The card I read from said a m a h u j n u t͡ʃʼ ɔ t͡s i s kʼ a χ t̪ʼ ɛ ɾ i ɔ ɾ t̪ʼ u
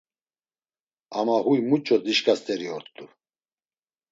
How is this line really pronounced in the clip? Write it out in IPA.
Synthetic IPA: a m a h u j m u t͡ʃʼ ɔ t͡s i ʃ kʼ a s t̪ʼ ɛ ɾ i ɔ ɾ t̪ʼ u